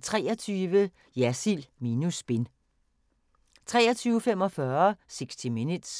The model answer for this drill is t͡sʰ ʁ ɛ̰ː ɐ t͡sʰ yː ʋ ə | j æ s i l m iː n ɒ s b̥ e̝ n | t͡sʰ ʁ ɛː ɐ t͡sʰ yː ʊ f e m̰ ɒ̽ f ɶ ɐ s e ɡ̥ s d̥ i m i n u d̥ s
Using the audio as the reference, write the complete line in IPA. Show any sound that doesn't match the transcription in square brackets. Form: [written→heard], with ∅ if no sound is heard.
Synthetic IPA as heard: t͡sʰ ʁ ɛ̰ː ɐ t͡sʰ yː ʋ ə | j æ s i l m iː n [ɒ→u] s b̥ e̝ n | t͡sʰ ʁ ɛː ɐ t͡sʰ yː ʊ f e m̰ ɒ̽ f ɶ ɐ s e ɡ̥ s d̥ i m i n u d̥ s